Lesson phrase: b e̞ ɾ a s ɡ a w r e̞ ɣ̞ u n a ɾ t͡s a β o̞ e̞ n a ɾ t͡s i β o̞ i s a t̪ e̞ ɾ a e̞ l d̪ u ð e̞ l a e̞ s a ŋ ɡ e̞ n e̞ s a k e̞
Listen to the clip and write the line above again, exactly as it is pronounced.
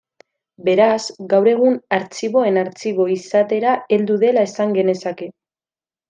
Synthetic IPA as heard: b e̞ ɾ a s ɡ a w ɾ e̞ ɣ̞ u n a ɾ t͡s i β o̞ e̞ n a ɾ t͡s i β o̞ i s a t̪ e̞ ɾ a e̞ l d̪ u ð e̞ l a e̞ s a ŋ ɡ e̞ n e̞ s a k e̞

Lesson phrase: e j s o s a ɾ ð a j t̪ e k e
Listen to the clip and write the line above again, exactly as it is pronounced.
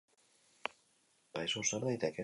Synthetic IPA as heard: a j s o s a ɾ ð a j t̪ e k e

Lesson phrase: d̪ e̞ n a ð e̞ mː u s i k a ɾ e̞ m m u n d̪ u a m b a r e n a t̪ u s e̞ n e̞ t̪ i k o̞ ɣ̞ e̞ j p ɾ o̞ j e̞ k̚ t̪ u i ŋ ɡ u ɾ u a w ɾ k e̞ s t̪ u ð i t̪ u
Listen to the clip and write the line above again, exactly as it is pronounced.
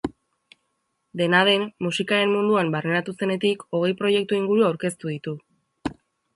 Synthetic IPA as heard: d̪ e̞ n a ð e̞ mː u s i k a ɾ e̞ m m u n d̪ u a m b a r e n a t̪ u s e̞ n e̞ t̪ i k o̞ ɣ̞ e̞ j p ɾ o̞ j e̞ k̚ t̪ u i ŋ ɡ u ɾ u a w ɾ k e̞ s t̪ u ð i t̪ u

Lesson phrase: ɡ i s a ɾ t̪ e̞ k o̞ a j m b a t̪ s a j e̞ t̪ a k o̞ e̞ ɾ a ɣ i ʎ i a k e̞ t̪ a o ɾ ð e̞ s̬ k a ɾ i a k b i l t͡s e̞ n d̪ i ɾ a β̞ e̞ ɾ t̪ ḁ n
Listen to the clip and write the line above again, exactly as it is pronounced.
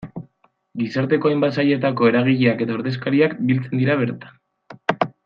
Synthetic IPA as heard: ɡ i s a ɾ t̪ e̞ k o̞ a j m b a t̪ s a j e̞ t̪ a k o̞ e̞ ɾ a ɣ i ʎ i a k e̞ t̪ a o ɾ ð e̞ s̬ k a ɾ i a k b i l t͡s e̞ n d̪ i ɾ a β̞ e̞ ɾ t̪ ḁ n

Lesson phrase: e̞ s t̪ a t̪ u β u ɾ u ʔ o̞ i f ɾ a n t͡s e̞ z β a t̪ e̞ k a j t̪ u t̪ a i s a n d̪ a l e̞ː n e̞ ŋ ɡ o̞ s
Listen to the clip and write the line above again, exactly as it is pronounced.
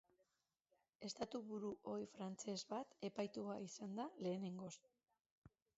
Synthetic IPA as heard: e̞ s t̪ a t̪ u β u ɾ u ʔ o̞ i f ɾ a n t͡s e̞ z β a t̪ e̞ p a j t̪ u a i s a n d̪ a l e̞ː n e̞ ŋ ɡ o̞ s

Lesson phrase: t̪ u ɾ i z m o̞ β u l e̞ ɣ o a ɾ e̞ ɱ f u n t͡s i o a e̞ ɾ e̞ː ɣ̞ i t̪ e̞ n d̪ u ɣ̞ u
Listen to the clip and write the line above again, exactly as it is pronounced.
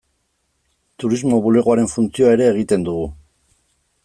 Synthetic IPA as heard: t̪ u ɾ i z m o̞ β u l e̞ ɣ o a ɾ e̞ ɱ f u n t͡s i o a e̞ ɾ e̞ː ɣ̞ i t̪ e̞ n d̪ u ɣ̞ u

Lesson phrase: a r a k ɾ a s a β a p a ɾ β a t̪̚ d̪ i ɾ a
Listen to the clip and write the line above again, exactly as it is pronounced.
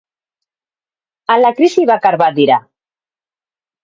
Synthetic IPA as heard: a l a k ɾ i s i β a k a ɾ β a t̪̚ d̪ i ɾ a

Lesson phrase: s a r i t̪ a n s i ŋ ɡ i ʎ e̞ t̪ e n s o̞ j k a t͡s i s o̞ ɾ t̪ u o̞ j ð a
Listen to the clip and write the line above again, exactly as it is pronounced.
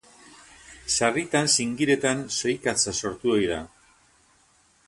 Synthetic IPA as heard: s a r i t̪ a n s i ŋ ɡ i ɾ e̞ t̪ a n s o̞ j k a t͡s a s o̞ ɾ t̪ u o̞ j ð a

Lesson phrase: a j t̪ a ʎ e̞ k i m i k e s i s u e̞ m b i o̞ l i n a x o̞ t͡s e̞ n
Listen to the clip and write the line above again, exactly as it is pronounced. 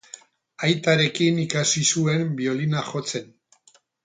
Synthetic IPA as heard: a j t̪ a ɾ e̞ k i n i k a s i s u e̞ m b i o̞ l i n a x o̞ t͡s e̞ n

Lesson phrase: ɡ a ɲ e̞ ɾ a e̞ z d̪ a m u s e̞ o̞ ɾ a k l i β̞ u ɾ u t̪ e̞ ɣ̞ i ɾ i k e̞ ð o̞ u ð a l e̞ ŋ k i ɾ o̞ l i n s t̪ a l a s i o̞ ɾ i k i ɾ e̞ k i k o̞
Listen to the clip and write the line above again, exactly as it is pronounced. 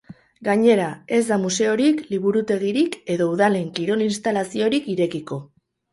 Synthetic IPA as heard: ɡ a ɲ e̞ ɾ a e̞ z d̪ a m u s e̞ o̞ ɾ i k l i β̞ u ɾ u t̪ e̞ ɣ̞ i ɾ i k e̞ ð o̞ u ð a l e̞ ŋ k i ɾ o̞ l i n s t̪ a l a s i o̞ ɾ i k i ɾ e̞ k i k o̞

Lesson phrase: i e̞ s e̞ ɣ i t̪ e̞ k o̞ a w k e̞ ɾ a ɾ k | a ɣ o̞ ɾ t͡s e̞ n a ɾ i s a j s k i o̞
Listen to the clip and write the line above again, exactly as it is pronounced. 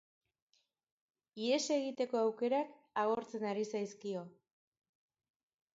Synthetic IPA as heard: i e̞ s e̞ ɣ i t̪ e̞ k o̞ a w k e̞ ɾ a k | a ɣ o̞ ɾ t͡s e̞ n a ɾ i s a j s k i o̞

